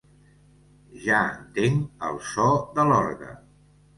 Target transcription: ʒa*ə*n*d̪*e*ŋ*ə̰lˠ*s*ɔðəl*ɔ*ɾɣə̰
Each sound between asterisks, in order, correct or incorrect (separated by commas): correct, incorrect, correct, correct, correct